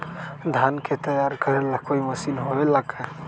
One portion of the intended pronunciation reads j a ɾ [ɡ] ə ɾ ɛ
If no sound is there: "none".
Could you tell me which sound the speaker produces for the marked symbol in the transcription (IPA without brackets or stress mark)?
k